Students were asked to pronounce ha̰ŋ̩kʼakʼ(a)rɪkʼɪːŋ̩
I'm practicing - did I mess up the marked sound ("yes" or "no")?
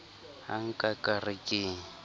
no